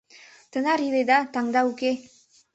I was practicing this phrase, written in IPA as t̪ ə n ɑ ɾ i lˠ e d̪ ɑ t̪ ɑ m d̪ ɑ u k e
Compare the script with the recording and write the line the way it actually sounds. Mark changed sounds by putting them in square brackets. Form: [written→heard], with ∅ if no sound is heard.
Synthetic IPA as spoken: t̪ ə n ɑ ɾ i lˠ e d̪ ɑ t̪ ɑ [m→ŋ] d̪ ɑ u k e